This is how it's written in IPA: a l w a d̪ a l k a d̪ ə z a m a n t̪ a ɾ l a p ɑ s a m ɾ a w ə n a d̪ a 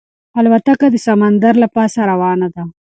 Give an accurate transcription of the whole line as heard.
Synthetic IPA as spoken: a l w a t̪ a k a d̪ ə s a m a n d̪ a ɾ l a p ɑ s a ɾ a w ɑ n a d̪ a